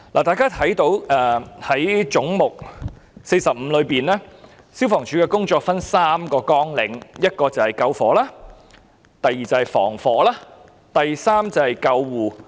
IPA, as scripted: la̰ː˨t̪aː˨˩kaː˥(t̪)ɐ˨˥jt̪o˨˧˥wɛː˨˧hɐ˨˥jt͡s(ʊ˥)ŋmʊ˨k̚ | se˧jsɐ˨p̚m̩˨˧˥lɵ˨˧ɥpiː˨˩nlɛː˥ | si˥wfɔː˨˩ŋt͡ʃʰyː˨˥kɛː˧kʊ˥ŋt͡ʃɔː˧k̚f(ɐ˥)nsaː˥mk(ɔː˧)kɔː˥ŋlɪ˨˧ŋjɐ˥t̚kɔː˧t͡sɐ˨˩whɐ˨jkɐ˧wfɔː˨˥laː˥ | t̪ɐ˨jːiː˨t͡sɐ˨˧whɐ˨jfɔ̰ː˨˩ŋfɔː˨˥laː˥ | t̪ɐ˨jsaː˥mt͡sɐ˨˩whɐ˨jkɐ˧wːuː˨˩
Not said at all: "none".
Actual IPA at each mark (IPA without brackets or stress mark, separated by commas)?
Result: t̪ʰ, ʊ˨˥, ɐ˥, ɔː˧